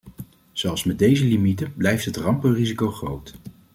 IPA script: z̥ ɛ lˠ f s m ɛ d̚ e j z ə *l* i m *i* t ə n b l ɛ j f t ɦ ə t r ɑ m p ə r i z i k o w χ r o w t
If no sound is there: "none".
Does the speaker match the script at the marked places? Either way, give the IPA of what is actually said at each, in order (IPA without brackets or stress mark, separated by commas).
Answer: l, i